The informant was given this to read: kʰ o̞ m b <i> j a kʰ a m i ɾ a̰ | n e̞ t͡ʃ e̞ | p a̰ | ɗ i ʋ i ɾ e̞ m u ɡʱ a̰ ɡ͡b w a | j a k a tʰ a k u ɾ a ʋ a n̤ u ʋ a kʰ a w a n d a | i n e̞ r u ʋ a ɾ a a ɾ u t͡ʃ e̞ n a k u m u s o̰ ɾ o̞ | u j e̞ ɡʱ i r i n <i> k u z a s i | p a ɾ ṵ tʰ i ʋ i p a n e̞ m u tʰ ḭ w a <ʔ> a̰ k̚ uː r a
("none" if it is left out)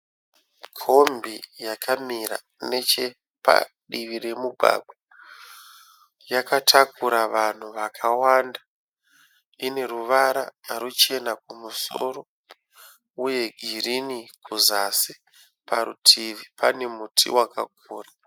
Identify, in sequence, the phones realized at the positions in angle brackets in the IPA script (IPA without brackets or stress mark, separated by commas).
i, i, k